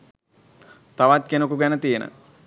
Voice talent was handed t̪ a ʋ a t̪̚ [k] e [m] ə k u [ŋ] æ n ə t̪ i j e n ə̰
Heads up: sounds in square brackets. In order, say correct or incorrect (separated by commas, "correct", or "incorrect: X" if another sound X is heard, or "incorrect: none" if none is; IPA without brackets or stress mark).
correct, incorrect: n, incorrect: ɡ